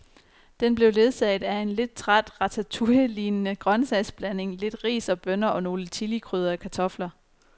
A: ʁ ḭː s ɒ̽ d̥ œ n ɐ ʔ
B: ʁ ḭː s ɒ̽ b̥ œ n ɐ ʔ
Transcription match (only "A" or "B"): B